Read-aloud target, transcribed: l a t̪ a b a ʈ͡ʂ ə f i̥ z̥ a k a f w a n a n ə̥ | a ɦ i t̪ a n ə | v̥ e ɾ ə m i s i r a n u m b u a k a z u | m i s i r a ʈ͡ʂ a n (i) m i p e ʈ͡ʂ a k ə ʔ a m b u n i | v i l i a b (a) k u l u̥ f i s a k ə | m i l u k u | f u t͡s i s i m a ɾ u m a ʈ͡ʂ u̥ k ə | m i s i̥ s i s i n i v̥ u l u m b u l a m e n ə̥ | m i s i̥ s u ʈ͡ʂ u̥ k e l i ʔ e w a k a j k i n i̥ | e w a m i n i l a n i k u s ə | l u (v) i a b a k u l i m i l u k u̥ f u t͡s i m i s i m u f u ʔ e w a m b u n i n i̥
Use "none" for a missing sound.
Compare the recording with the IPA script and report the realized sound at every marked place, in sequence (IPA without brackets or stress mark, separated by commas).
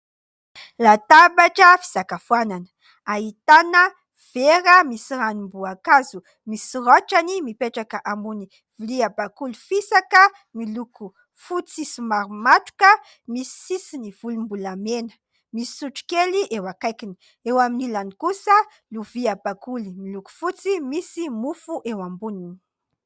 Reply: i, a, v